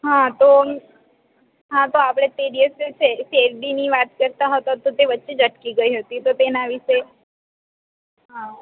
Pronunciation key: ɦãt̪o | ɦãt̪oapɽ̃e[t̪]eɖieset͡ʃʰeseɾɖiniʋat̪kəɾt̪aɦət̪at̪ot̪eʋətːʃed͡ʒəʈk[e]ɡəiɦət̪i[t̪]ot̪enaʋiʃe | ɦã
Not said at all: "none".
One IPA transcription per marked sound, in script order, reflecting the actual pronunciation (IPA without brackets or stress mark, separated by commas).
t̪, i, t̪